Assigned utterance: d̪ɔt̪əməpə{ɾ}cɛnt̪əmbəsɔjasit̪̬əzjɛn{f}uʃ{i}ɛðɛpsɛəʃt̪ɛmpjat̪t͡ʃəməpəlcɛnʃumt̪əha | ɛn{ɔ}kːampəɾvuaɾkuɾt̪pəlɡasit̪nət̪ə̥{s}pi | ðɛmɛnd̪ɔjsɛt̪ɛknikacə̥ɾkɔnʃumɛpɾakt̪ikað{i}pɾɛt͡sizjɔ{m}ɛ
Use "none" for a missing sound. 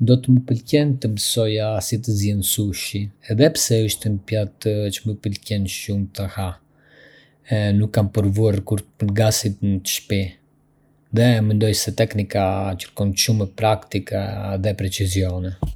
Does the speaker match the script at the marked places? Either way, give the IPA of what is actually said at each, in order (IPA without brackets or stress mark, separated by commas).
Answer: l, s, i, u, ʃ, ɛ, n